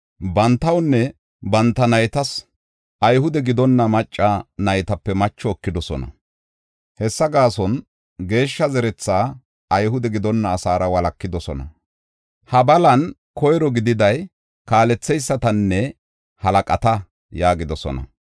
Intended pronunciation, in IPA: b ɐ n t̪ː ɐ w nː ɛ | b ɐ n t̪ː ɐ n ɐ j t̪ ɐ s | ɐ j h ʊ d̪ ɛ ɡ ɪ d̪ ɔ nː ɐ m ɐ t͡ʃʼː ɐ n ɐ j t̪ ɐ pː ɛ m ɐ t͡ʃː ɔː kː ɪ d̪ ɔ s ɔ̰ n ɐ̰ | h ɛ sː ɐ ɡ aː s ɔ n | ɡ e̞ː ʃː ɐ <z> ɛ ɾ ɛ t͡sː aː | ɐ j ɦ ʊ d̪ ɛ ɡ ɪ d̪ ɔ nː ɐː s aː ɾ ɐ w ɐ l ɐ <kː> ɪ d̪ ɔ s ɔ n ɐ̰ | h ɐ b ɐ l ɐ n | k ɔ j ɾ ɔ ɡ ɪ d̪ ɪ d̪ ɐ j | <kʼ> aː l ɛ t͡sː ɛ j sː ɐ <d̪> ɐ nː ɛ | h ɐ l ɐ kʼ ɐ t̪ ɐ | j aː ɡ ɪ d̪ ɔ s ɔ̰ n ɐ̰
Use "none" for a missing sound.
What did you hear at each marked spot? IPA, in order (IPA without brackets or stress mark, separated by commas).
z, kː, k, t̪